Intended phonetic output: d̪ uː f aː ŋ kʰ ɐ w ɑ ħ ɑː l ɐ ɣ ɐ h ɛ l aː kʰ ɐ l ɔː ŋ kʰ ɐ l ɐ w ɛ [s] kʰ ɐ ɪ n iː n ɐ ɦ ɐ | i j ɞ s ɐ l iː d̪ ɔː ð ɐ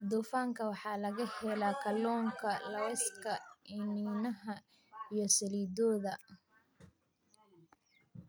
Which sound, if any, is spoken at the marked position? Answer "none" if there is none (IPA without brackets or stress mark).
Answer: s